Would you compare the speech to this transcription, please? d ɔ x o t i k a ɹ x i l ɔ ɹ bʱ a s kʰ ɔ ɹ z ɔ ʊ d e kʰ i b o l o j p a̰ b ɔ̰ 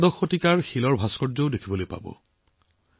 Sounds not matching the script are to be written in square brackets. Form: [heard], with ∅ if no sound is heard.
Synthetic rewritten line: d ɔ x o t i k a ɹ x i l ɔ ɹ bʱ a s [k] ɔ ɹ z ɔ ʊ d e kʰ i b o l o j p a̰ b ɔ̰

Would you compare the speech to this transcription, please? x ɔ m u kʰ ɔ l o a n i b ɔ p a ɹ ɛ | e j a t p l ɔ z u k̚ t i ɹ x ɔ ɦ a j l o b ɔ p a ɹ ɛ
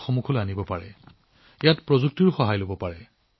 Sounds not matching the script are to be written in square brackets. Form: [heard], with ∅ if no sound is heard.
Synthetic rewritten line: x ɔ m u kʰ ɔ l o a n i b ɔ p a ɹ ɛ | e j a t p [ɹ] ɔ z u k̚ t i ɹ x ɔ ɦ a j l o b ɔ p a ɹ ɛ

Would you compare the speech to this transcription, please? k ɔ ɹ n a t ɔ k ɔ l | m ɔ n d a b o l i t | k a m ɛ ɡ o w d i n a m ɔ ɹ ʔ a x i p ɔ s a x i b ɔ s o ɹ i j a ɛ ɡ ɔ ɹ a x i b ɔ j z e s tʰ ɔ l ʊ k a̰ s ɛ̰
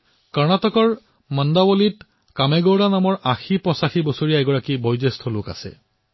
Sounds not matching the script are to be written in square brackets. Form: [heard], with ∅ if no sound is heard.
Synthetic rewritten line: k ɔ ɹ n a t ɔ k ɔ [ɹ] | m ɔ n d a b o l i t | k a m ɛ ɡ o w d [a] n a m ɔ ɹ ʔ a x i p ɔ s a x i b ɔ s o ɹ i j a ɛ ɡ ɔ ɹ a [k] i b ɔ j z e s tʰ ɔ l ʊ k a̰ s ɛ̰

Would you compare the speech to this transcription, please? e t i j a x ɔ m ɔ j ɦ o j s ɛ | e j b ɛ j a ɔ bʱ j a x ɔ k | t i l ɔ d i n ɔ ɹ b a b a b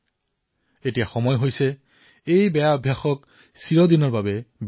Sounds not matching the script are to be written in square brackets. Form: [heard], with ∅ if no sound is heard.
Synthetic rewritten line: e t i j a x ɔ m ɔ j ɦ o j s ɛ | e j b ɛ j a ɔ bʱ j a x ɔ k | [s] i [ɹ] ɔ d i n ɔ ɹ b a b [ɛ] b

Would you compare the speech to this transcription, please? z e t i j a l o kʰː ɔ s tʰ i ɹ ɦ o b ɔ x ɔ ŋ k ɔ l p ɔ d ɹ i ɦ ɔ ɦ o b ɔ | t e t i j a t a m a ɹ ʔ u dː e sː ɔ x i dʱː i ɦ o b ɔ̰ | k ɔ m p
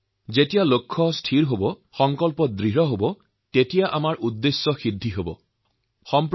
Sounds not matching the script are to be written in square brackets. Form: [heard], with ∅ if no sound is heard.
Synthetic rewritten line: z e t i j a l o kʰː ɔ s tʰ i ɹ ɦ o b ɔ x ɔ ŋ k ɔ l p ɔ d ɹ i ɦ ɔ ɦ o b ɔ | t e t i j a [ʔ] a m a ɹ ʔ u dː e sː ɔ x i dʱː i ɦ o b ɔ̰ | [x] ɔ m p

